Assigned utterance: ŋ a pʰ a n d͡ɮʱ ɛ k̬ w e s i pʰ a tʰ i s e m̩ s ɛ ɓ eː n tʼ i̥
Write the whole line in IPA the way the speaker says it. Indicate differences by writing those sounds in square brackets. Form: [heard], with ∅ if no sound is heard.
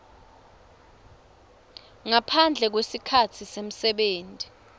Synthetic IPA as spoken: ŋ a pʰ a n d͡ɮʱ ɛ k̬ w e s i [kʰ] a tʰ i s e m̩ s ɛ ɓ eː n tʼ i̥